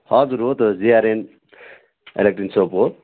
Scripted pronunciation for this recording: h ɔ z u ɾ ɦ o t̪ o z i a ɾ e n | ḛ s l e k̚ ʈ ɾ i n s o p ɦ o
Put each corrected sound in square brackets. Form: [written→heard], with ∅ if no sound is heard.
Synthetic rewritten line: h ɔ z u ɾ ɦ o t̪ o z i a ɾ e n | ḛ [s→∅] l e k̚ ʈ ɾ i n s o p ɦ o